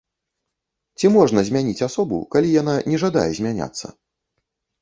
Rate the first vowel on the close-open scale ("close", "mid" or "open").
close